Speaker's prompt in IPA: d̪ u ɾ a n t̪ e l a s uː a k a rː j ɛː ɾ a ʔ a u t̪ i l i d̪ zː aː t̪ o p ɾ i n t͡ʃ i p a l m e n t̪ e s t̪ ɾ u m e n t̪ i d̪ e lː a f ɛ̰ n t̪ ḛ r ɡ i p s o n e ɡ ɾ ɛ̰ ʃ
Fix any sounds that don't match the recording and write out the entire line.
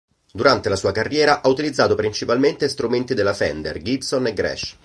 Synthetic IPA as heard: d̪ u ɾ a n t̪ e l a s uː a k a rː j ɛː ɾ a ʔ a u t̪ i l i d̪ zː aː t̪ o p ɾ i n t͡ʃ i p a l m e n t̪ e s t̪ ɾ u m e n t̪ i d̪ e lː a f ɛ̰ n d̪ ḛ r ɡ i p s o n e ɡ ɾ ɛ̰ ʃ